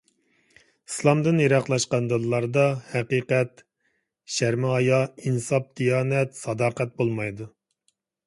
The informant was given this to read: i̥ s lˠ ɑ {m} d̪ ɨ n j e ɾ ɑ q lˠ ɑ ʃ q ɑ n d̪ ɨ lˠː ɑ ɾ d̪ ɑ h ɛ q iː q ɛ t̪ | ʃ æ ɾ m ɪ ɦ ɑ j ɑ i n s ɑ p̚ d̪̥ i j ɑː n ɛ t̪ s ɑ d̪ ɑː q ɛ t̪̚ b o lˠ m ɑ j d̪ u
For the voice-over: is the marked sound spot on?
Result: yes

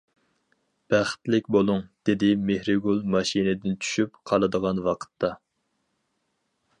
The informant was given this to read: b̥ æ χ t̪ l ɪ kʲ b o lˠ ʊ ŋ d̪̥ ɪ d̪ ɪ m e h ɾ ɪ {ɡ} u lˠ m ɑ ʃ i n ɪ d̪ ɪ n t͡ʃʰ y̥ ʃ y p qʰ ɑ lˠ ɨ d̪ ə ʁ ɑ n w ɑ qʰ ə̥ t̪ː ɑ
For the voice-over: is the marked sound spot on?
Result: yes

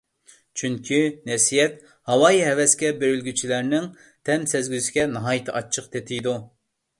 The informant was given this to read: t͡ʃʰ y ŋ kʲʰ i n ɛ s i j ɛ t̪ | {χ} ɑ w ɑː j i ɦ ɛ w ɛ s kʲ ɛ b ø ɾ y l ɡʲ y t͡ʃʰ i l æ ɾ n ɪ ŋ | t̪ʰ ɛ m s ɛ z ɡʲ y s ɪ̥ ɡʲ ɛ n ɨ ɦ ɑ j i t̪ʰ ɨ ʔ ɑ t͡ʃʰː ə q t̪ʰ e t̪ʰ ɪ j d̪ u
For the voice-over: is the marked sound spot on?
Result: no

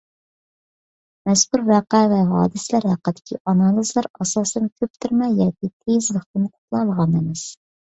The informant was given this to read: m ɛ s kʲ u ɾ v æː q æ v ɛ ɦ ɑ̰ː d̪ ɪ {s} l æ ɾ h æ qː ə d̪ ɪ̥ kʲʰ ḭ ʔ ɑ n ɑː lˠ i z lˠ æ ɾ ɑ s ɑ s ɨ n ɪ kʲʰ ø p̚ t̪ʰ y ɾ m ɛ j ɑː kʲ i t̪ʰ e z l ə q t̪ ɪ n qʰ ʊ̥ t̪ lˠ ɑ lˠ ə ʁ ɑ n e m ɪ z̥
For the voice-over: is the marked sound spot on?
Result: yes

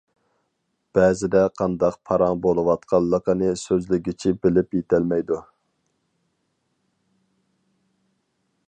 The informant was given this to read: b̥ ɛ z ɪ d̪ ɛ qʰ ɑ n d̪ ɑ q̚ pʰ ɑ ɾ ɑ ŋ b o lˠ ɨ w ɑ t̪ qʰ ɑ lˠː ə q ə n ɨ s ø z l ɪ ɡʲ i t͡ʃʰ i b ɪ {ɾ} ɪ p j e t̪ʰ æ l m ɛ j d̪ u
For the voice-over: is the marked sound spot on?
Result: no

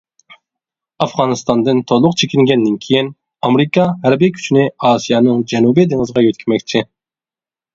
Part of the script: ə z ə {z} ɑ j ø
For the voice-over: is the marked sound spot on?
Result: no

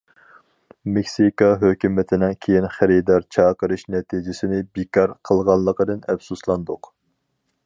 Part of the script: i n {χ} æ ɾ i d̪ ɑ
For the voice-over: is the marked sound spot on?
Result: yes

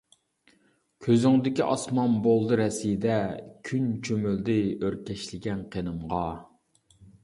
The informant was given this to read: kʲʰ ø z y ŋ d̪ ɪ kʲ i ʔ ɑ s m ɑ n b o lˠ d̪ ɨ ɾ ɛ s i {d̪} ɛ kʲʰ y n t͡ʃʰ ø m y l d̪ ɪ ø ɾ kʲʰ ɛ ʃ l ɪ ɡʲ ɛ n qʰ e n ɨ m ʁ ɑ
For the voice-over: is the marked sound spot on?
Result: yes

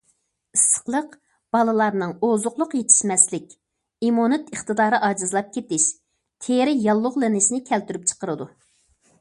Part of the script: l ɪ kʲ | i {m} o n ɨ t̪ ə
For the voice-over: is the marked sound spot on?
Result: yes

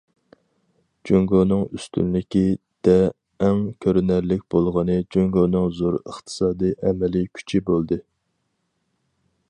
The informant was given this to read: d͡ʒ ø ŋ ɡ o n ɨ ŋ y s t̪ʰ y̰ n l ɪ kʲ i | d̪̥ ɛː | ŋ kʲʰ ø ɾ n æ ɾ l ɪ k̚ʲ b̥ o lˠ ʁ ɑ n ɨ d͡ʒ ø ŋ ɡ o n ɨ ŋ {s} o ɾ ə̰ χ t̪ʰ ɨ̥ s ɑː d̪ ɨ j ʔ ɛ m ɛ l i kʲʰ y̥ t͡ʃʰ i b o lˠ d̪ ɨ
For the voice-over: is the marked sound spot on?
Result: no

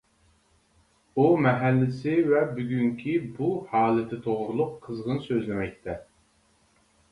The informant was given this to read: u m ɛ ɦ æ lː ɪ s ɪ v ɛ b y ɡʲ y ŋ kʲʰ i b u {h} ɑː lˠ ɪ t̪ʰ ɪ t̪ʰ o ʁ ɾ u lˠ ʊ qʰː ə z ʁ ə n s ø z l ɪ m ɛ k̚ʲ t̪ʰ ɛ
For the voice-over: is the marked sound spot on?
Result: yes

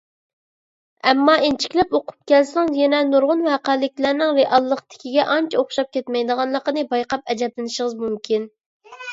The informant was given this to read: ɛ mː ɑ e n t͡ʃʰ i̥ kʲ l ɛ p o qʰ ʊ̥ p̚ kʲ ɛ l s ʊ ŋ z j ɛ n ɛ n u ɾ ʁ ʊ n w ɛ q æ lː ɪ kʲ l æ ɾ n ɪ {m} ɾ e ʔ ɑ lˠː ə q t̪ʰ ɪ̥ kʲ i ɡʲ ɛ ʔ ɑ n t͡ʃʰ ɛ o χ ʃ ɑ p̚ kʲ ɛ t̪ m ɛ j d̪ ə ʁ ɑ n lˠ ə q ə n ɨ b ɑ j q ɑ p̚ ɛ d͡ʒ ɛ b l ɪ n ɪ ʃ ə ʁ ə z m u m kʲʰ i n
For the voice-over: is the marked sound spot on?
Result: no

